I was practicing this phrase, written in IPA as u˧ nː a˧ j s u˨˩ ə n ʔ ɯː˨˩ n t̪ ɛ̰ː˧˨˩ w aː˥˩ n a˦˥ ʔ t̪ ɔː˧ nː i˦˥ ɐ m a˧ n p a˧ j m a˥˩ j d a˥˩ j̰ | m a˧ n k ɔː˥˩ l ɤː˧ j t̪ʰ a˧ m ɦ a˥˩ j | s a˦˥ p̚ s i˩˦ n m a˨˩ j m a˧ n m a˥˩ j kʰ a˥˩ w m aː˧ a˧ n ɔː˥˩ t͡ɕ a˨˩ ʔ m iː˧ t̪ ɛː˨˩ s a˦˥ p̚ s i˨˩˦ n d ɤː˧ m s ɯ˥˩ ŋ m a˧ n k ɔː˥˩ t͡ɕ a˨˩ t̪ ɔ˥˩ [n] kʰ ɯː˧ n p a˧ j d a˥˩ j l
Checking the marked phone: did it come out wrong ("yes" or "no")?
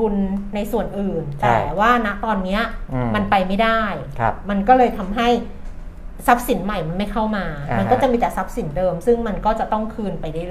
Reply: yes